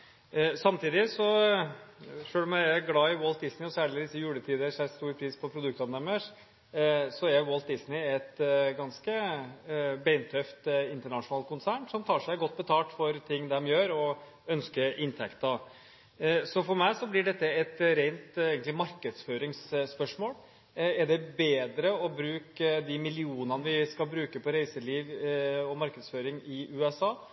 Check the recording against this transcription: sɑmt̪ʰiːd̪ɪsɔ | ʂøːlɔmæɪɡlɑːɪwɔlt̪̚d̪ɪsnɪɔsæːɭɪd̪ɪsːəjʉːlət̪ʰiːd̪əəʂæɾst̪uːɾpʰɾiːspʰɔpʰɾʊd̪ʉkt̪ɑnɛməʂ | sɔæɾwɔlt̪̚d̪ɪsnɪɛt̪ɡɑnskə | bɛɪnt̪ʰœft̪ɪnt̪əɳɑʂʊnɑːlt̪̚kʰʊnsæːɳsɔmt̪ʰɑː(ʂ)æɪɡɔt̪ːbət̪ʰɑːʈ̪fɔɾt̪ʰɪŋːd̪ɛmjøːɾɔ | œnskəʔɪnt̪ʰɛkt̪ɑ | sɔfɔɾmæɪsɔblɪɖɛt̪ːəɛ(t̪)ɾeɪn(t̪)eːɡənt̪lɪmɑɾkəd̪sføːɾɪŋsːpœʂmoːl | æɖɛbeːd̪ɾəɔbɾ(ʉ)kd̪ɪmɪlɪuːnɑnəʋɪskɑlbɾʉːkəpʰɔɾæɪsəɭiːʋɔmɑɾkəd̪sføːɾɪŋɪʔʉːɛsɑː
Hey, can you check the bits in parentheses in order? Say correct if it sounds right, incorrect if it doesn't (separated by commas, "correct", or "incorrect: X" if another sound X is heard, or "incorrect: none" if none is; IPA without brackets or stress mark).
correct, correct, correct, incorrect: ʉː